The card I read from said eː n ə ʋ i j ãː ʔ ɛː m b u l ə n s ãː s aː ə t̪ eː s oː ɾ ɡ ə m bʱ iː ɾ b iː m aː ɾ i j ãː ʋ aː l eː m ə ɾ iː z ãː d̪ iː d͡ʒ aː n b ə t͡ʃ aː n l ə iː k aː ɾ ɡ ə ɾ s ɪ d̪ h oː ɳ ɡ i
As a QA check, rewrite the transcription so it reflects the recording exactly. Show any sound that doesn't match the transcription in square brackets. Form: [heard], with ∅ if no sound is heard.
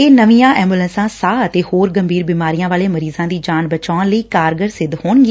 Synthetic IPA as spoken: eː n ə ʋ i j ãː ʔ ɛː m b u l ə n s ãː s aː ə t̪ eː [h] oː ɾ ɡ ə m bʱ iː ɾ b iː m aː ɾ i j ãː ʋ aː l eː m ə ɾ iː z ãː d̪ iː d͡ʒ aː n b ə t͡ʃ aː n l ə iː k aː ɾ ɡ ə ɾ s ɪ d̪ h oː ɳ ɡ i